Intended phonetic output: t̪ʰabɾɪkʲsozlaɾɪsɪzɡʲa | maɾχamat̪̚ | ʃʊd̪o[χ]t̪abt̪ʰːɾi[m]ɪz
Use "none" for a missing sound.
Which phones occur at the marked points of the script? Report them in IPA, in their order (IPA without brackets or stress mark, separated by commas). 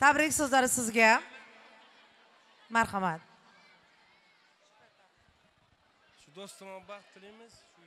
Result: s, m